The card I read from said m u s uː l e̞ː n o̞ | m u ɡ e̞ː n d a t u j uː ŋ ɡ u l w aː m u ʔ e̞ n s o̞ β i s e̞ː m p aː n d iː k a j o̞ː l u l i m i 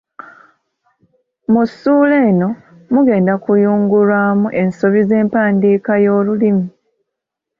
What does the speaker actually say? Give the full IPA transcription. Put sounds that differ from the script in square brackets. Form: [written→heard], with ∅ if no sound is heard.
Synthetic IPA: m u s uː l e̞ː n o̞ | m u ɡ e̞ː n d a [t→k] u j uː ŋ ɡ u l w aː m u ʔ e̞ n s o̞ β i [s→z] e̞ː m p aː n d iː k a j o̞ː l u l i m i